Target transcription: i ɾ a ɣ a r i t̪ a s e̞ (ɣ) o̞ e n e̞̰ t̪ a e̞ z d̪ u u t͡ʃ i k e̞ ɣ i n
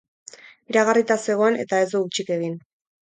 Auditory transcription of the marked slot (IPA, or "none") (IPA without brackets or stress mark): ɣ